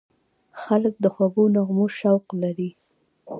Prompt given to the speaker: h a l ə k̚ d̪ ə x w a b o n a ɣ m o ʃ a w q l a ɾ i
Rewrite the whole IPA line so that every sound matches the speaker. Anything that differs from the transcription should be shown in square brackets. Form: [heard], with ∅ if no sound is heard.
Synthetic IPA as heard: [x] a l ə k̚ d̪ ə x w a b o n a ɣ m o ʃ a w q l a ɾ i